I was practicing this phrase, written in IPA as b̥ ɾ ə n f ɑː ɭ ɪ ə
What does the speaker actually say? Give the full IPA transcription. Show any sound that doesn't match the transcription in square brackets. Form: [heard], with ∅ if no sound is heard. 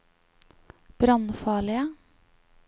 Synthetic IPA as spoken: b̥ ɾ [ɑ] n f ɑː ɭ ɪ ə